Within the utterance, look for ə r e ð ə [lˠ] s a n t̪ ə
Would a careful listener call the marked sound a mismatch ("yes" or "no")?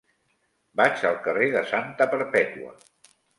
yes